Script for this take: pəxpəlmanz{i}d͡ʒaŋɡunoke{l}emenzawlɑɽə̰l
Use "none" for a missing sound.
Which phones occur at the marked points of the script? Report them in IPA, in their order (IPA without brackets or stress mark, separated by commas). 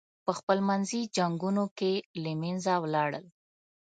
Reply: i, l